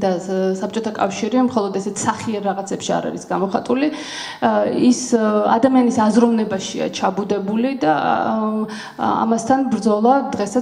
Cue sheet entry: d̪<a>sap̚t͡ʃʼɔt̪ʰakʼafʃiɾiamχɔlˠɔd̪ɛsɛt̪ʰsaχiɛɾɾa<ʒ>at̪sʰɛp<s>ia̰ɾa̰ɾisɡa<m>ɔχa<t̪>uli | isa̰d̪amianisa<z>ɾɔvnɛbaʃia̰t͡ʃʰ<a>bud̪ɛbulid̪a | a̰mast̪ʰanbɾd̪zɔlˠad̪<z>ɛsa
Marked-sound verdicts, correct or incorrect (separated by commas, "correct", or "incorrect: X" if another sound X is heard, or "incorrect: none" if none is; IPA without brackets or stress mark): correct, incorrect: ʁ, incorrect: ʃ, correct, incorrect: t̪ʼ, correct, correct, incorrect: ʁ